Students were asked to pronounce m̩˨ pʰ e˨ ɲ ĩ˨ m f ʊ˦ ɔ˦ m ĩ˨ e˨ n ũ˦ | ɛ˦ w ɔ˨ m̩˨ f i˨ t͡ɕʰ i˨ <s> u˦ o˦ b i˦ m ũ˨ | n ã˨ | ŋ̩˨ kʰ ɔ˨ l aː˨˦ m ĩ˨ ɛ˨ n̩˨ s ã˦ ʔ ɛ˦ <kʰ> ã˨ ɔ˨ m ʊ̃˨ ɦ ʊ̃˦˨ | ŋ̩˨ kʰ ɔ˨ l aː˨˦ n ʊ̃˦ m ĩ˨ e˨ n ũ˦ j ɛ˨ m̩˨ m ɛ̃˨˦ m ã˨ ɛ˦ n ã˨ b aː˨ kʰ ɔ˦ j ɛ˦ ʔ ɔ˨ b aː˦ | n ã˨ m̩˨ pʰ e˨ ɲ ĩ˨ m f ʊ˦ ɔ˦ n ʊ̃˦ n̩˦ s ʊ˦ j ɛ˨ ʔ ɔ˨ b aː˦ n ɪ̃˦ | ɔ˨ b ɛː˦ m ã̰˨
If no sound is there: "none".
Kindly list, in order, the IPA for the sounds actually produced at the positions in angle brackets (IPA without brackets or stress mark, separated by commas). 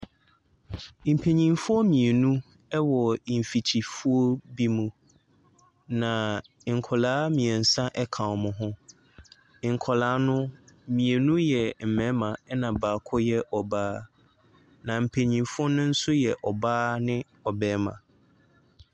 f, kʰ